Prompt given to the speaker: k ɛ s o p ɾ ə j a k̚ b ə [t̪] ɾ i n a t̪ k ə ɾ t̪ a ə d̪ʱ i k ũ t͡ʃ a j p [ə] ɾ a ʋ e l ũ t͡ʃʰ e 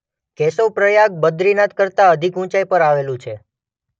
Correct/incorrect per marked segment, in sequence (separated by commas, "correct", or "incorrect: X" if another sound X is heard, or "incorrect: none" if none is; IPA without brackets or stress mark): incorrect: d̪, correct